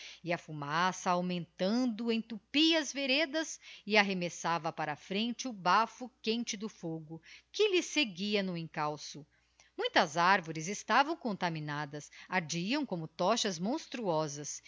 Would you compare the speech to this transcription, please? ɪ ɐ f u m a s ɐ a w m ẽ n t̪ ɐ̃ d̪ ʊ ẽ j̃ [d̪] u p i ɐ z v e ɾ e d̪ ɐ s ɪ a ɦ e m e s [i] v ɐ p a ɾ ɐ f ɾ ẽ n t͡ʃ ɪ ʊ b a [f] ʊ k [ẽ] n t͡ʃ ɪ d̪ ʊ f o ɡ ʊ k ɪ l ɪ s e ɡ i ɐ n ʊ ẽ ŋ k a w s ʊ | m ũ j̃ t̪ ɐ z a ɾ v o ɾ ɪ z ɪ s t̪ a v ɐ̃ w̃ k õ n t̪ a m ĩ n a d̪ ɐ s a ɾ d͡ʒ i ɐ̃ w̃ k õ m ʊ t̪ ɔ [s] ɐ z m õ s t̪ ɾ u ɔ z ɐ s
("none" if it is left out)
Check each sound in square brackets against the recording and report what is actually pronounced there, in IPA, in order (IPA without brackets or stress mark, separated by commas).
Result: t̪, a, f, ẽ, ʃ